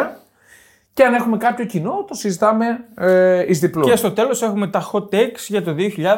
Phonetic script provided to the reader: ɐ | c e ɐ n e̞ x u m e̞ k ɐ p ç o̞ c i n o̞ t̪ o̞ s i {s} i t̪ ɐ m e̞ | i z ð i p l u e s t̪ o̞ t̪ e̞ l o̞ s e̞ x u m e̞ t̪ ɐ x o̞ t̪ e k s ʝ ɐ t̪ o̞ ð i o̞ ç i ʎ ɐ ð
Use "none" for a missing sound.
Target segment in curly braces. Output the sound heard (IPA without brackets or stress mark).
z